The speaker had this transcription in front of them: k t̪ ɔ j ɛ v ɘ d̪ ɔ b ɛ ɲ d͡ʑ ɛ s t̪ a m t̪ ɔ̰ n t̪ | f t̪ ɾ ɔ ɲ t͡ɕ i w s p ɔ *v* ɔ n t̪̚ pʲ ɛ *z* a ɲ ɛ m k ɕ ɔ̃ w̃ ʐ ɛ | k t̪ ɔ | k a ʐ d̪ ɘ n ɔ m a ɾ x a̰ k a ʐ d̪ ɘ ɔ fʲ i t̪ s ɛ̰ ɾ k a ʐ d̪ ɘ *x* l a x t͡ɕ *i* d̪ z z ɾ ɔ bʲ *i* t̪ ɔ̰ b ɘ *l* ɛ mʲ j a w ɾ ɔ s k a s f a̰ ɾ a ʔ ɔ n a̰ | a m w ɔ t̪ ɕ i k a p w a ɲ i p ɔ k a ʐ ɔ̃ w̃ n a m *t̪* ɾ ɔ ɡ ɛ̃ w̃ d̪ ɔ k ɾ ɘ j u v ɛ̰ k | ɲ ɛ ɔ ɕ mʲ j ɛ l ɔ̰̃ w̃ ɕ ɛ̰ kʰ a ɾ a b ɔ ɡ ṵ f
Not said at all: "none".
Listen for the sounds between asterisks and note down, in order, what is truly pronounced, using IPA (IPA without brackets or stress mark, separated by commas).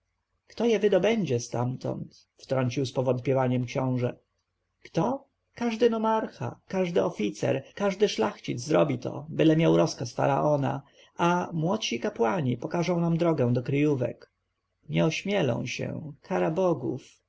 v, v, ʂ, i, i, l, d̪